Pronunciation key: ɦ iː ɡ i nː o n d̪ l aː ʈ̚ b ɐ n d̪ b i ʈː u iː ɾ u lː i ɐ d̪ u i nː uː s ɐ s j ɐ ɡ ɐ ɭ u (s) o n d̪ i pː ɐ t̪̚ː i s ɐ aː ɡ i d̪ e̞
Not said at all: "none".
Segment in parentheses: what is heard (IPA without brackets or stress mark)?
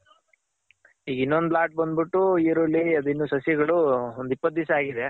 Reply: none